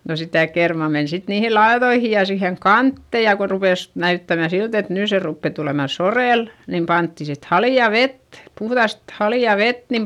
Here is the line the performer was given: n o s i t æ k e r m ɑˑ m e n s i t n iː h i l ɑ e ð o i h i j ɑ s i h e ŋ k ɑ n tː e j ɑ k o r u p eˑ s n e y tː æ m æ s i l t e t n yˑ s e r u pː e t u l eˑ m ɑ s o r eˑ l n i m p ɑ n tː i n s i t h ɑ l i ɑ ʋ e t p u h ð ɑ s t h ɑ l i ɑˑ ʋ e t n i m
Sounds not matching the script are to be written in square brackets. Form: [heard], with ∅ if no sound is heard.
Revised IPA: n o s i t æ k e r m ɑˑ m e n s i t n iː h i l ɑ e ð o i h i j ɑ s i h e ŋ k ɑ n tː e j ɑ k o r u p eˑ s n [æ] y tː æ m æ s i l t e t n yˑ s e r u pː e t u l eˑ m ɑ s o r eˑ l n i m p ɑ n tː i [∅] s i t h ɑ l i ɑ ʋ e t p u h ð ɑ s t h ɑ l i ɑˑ ʋ e t n i m

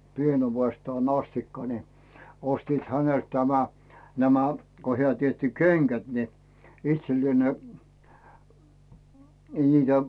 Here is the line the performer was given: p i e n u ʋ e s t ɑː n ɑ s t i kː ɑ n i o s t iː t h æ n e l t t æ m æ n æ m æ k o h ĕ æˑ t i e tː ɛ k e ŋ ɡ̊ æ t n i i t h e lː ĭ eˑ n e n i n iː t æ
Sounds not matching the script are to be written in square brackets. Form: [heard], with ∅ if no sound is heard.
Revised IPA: p i e n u ʋ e s t ɑː n ɑ s t i kː ɑ n i o s t iː t h æ n e l t t æ m æ n æ m æ k o h ĕ æˑ t i e tː [i] k e ŋ ɡ̊ æ t n i i t [s] e lː ĭ eˑ n e n i n iː t æ

